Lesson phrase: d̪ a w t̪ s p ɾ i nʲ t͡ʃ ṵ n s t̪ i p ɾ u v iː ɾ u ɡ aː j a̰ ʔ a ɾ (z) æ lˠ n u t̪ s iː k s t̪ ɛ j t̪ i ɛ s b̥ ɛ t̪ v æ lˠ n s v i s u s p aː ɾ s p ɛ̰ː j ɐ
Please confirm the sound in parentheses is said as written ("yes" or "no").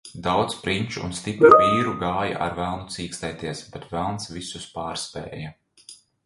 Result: no